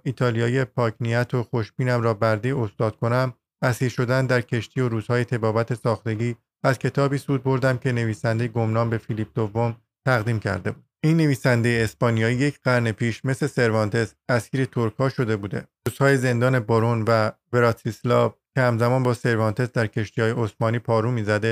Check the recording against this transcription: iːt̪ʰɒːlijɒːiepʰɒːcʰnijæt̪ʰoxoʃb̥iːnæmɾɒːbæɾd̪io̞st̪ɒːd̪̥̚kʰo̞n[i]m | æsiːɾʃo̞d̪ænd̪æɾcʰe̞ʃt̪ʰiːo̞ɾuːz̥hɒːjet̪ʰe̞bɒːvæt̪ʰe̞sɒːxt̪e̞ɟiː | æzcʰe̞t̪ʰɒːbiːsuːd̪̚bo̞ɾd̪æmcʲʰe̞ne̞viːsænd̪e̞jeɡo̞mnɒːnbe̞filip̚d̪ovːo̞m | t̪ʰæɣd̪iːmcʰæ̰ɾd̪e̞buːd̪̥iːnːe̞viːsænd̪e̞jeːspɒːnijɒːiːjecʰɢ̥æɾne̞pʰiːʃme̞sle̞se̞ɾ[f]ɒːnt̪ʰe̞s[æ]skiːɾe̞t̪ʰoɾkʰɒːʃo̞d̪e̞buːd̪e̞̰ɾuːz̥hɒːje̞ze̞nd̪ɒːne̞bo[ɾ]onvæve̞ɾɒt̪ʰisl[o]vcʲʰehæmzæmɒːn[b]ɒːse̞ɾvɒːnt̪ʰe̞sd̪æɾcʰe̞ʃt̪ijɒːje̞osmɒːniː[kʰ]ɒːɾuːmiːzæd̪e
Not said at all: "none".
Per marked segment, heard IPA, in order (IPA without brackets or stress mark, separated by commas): æ, v, æ, ɾ, ɒ, b, pʰ